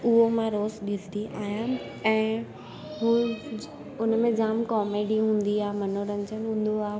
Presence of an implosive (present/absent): present